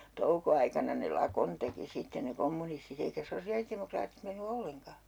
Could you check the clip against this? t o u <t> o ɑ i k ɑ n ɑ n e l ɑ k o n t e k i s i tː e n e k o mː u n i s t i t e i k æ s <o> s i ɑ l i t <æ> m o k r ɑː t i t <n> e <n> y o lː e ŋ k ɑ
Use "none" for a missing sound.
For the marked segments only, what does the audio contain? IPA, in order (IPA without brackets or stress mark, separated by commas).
k, o, e, m, nː